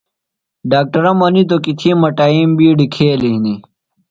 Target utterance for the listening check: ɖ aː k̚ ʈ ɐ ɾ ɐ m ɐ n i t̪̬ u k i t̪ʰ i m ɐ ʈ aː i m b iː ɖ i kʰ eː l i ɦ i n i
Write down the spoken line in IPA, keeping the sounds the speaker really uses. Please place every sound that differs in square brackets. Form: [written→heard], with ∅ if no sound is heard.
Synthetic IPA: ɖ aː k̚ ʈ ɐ ɾ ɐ m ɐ n i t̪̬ [u→o] k i t̪ʰ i m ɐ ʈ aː i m b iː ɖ i kʰ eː l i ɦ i n i